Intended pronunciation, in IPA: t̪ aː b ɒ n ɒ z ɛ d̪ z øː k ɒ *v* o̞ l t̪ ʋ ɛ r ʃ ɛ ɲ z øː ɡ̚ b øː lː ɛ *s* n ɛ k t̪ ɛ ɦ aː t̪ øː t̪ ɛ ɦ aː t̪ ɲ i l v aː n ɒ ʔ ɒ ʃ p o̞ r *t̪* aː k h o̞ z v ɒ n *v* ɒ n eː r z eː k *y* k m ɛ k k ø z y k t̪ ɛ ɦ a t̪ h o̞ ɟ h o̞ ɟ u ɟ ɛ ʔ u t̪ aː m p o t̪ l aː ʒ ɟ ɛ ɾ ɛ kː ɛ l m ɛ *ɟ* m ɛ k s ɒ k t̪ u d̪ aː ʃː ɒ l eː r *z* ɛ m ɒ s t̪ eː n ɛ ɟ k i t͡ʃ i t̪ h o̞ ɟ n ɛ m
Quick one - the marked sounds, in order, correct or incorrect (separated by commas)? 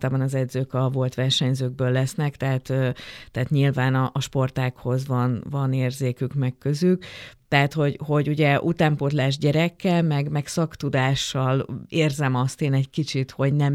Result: correct, correct, correct, correct, correct, incorrect, correct